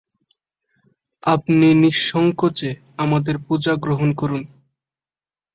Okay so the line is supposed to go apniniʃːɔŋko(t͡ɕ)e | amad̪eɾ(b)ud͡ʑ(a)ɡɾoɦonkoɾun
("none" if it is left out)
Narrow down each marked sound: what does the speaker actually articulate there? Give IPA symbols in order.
t͡ɕ, p, a

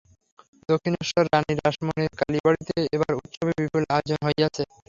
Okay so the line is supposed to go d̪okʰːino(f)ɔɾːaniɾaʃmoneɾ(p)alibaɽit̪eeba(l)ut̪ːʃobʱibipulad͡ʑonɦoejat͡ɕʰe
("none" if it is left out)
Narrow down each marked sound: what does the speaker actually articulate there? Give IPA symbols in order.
ʃ, k, ɾ

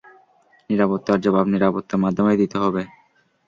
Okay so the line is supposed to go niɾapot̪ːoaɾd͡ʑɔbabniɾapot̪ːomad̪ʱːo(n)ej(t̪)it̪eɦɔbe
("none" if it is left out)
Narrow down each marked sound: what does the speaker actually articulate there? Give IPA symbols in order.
m, d̪

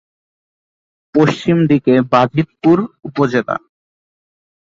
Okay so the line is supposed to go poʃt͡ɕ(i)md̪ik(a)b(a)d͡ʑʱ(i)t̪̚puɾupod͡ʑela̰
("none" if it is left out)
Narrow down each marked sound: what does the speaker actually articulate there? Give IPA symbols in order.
i, e, a, i

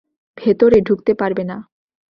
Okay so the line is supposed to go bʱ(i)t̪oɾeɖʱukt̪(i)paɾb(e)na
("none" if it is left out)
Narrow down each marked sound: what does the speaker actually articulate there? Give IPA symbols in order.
e, e, e

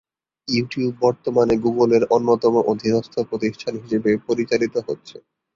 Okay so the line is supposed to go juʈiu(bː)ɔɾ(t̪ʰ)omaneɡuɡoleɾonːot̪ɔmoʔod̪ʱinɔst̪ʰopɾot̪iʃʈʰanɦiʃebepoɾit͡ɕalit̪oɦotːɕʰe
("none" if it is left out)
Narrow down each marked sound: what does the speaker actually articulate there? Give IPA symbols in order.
bː, t̪

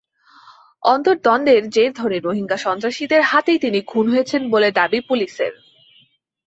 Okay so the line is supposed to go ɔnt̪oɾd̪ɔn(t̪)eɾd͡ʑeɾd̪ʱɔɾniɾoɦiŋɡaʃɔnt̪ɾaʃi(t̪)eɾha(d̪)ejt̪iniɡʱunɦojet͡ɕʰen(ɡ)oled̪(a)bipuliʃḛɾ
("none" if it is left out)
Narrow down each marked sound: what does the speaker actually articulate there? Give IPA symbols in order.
d̪, d̪, t̪, b, a

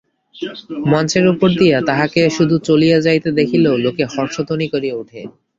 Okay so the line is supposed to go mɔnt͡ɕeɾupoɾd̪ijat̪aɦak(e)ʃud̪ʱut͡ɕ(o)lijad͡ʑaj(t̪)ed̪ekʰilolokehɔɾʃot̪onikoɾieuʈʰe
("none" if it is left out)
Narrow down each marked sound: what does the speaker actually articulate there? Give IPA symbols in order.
e, o, t̪

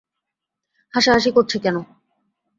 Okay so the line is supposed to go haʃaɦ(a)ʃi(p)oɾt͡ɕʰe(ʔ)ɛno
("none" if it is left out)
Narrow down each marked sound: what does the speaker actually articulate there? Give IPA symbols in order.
a, k, k

